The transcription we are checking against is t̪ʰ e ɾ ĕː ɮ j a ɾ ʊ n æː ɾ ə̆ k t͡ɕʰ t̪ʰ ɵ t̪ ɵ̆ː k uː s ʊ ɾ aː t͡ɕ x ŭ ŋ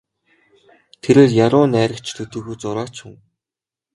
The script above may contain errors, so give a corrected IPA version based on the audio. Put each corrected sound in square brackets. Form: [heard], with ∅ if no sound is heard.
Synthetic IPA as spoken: t̪ʰ e ɾ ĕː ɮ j a ɾ [ʊː] n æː ɾ ə̆ k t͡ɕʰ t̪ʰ ɵ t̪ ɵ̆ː [x] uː [t͡s] ʊ ɾ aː t͡ɕ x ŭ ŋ